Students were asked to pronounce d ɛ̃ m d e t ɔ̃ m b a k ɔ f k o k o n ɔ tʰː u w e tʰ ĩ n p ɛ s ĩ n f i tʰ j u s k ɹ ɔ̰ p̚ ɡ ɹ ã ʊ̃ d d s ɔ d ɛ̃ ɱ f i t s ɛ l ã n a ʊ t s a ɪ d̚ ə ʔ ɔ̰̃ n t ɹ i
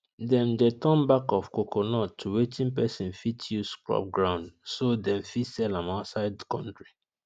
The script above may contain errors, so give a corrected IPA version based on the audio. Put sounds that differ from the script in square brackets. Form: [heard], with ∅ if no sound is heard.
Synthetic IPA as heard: d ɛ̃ m d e t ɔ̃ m b a k ɔ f k o k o n ɔ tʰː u w e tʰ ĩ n p ɛ s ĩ n f i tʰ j u s k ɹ ɔ̰ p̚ ɡ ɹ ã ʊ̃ [n] d s [o] d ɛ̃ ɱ f i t s ɛ l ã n a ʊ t s a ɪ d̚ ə [k] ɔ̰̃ n t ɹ i